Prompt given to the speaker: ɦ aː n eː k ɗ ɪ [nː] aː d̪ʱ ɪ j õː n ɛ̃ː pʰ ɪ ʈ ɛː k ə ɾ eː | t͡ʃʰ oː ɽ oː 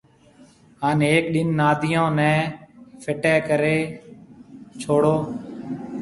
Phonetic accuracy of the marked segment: correct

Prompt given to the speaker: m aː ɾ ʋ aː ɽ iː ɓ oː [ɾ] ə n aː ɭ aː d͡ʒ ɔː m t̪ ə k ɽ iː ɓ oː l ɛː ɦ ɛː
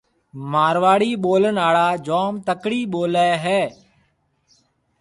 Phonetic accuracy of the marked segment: incorrect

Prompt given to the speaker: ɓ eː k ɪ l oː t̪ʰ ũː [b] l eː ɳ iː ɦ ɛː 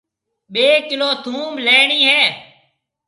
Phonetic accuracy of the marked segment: incorrect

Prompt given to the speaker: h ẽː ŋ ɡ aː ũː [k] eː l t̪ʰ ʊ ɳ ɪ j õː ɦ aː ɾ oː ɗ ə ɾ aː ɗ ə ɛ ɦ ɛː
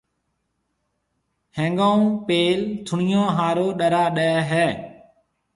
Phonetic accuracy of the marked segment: incorrect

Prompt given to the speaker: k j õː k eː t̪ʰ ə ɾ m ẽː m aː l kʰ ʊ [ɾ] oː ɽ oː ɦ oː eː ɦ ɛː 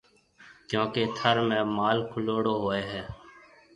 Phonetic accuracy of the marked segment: incorrect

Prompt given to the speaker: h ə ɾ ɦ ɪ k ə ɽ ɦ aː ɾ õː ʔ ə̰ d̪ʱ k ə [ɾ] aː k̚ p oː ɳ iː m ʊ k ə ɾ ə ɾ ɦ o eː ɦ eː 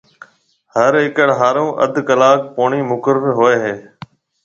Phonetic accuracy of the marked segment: incorrect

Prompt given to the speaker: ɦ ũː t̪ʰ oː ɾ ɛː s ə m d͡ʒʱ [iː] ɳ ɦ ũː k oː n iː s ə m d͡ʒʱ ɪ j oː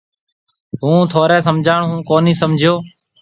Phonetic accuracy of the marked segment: incorrect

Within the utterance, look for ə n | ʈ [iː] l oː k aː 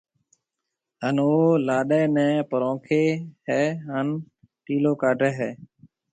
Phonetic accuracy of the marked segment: correct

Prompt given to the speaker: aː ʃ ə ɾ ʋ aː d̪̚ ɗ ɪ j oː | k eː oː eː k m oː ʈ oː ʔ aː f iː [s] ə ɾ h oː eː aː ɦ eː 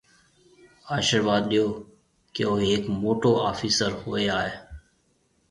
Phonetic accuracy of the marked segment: correct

